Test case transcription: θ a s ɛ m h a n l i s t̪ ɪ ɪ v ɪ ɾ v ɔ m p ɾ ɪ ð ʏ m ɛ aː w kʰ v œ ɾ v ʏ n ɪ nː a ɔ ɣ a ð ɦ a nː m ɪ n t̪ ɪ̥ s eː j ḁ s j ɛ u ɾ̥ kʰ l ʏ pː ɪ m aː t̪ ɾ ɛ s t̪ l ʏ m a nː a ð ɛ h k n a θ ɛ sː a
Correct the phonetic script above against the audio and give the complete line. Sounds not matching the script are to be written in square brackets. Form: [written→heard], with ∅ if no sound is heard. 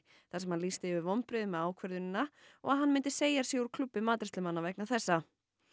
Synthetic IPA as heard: θ a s ɛ m h a n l i s t̪ ɪ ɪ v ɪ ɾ v ɔ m p ɾ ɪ ð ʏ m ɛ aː w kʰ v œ ɾ [v→ð] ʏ n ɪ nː a ɔ ɣ a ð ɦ a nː m ɪ n t̪ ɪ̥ s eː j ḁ s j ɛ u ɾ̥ kʰ l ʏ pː ɪ m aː t̪ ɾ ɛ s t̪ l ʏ m a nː a [ð→v] ɛ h k n a θ ɛ sː a